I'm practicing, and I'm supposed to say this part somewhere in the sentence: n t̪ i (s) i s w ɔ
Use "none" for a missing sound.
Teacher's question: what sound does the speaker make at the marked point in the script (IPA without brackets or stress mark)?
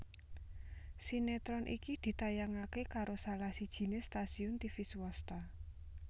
f